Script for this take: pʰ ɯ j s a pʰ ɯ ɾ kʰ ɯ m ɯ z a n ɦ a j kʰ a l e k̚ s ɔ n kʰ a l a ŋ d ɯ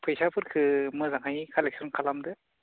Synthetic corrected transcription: pʰ ɯ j s a pʰ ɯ ɾ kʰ ɯ m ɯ z a ŋ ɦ a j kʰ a l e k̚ s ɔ n kʰ a l a m d ɯ